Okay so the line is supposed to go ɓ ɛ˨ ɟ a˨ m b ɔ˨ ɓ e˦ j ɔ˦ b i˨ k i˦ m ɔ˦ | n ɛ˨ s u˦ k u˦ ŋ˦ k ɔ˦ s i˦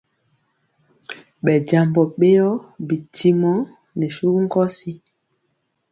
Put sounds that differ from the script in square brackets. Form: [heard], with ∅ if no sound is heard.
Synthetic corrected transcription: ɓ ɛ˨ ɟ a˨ m b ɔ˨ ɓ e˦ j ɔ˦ b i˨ [t] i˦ m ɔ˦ | n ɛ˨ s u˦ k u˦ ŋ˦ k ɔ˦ s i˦